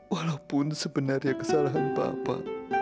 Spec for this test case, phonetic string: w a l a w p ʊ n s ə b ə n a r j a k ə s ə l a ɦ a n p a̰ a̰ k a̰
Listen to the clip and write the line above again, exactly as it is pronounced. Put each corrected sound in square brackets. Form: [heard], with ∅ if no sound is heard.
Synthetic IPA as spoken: w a l a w p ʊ n s ə b ə n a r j a k ə s [a] l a ɦ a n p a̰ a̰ [p] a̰